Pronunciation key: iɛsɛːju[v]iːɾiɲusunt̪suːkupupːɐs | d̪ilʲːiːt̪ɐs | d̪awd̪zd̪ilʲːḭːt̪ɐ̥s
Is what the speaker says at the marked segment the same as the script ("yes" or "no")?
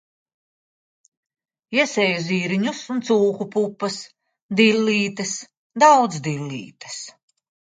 no